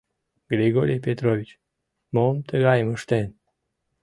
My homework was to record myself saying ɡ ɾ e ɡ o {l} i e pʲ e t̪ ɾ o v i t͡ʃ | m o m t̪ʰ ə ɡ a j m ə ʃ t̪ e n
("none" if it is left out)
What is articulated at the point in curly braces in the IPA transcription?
ɾ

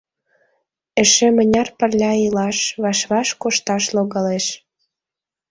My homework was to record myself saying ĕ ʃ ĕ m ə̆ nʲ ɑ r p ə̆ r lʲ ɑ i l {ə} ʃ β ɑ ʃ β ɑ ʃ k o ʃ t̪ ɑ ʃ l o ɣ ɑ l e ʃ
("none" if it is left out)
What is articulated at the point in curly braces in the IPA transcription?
ɑ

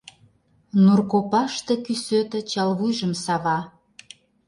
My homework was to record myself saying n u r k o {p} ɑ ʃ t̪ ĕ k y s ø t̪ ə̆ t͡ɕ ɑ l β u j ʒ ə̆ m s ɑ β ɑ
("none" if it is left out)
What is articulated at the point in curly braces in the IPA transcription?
p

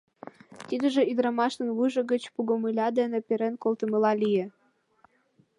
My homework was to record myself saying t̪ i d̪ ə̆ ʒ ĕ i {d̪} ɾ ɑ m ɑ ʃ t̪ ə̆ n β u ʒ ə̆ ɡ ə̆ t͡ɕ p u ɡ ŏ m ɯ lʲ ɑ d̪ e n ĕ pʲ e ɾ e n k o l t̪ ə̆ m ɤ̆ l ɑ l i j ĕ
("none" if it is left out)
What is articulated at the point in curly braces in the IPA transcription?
d̪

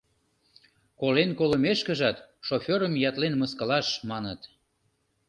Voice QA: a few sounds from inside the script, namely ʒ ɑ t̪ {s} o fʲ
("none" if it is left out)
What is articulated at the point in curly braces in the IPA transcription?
ʃ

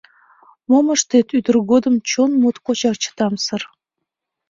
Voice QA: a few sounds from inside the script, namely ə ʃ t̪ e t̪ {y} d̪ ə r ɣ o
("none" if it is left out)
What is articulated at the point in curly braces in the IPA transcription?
y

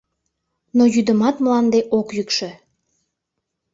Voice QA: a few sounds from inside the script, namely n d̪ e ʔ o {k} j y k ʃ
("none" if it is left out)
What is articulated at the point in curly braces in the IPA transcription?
k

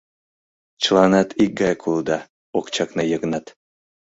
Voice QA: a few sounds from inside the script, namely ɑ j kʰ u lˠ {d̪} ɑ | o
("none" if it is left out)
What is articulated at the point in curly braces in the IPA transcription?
d̪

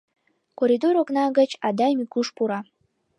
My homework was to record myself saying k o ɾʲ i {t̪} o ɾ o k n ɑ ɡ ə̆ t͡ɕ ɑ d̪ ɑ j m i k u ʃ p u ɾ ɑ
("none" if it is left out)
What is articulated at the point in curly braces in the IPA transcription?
d̪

